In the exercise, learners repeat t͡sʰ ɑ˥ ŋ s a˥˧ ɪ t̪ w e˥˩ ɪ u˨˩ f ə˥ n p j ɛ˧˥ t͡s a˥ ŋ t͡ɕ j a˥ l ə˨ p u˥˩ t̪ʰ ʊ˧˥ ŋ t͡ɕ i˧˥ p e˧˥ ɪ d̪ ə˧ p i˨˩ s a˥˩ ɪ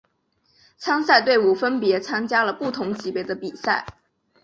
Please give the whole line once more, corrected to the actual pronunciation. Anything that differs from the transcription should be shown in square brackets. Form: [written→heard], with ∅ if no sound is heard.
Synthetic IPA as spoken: t͡sʰ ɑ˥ ŋ s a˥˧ ɪ t̪ w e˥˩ ɪ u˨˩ f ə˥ n p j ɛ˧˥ [t͡s→t͡sʰ] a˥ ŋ t͡ɕ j a˥ l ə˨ p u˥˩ t̪ʰ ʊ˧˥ ŋ t͡ɕ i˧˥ p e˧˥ ɪ d̪ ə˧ p i˨˩ s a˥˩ ɪ